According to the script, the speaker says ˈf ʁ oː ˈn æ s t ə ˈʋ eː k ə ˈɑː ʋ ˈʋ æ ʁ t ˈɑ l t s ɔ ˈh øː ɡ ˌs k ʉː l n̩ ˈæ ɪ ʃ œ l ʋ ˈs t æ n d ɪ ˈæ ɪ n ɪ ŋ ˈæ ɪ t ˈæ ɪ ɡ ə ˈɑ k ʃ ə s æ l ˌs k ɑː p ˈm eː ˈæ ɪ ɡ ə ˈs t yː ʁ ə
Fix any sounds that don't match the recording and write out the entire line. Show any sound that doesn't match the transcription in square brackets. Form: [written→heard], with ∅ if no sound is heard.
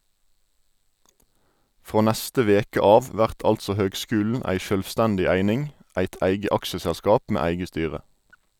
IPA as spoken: ˈf ʁ oː ˈn æ s t ə ˈʋ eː k ə ˈɑː ʋ ˈʋ æ ʁ t ˈɑ l t s ɔ ˈh øː ɡ ˌs k ʉː l n̩ ˈæ ɪ ʃ œ l ʋ ˈs t æ n d ɪ ˈæ ɪ n ɪ ŋ ˈæ ɪ t ˈæ ɪ ɡ ə ˈɑ k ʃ ə s æ l ˌs k ɑː p ˈm eː ˈæ ɪ ɡ ə ˈs t yː ʁ ə